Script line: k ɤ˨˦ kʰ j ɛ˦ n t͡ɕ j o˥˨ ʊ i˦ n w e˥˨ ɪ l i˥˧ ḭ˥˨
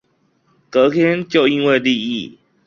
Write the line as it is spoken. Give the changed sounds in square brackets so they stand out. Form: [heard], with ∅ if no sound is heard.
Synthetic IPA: k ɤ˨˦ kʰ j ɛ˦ n t͡ɕ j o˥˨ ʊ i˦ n w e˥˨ ɪ l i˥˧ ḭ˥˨